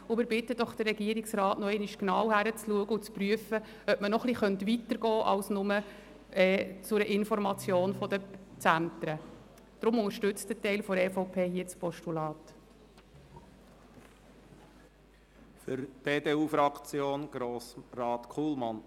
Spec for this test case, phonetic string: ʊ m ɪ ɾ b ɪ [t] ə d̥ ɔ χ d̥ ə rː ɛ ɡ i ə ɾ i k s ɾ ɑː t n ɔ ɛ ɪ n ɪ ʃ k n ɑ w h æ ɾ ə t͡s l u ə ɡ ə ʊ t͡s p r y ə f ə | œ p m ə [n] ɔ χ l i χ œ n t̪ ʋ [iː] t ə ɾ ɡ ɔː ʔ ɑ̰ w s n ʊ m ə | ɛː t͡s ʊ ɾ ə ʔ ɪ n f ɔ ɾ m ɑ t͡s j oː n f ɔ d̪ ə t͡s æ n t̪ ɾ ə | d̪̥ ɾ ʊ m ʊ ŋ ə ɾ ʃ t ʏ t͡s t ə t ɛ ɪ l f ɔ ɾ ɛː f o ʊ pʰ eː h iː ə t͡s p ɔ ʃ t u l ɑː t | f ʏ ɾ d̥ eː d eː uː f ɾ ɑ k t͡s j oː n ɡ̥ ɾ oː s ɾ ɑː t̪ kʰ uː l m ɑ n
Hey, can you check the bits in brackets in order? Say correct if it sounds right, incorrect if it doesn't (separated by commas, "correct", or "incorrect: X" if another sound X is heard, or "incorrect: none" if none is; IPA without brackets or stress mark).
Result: correct, correct, incorrect: i